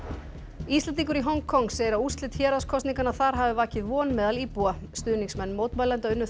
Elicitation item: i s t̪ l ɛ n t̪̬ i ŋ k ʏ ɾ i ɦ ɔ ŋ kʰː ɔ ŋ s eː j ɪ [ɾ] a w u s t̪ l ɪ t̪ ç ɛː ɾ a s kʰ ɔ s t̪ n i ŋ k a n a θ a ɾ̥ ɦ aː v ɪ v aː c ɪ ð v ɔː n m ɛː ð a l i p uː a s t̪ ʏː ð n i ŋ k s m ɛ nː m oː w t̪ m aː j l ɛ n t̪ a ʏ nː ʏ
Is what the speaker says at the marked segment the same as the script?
yes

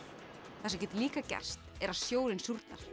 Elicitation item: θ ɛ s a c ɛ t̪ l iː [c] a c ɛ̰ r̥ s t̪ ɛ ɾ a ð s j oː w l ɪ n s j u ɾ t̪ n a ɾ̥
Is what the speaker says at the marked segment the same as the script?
no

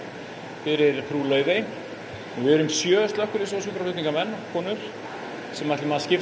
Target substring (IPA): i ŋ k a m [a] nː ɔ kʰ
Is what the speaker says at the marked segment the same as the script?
no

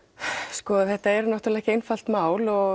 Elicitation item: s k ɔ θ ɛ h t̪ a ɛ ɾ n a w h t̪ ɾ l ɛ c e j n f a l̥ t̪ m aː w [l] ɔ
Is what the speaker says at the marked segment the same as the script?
yes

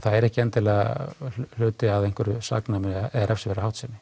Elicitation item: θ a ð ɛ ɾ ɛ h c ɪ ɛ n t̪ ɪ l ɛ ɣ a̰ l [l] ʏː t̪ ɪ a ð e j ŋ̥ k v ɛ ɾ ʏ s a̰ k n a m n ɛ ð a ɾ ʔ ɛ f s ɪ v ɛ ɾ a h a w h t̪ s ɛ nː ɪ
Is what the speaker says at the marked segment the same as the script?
yes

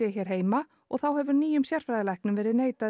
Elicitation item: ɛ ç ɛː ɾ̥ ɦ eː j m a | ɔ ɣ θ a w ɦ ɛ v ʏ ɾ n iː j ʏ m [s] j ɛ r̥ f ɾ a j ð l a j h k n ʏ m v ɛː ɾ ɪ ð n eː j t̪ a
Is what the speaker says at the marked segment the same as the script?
yes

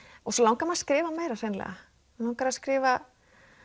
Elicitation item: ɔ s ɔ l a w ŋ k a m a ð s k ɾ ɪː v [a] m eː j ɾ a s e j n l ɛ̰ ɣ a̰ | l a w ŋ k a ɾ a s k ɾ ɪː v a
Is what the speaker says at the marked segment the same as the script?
yes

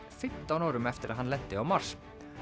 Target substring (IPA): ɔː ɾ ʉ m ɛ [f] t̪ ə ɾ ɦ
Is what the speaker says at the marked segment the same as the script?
yes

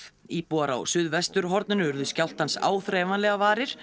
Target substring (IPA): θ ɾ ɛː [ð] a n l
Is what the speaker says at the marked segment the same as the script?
no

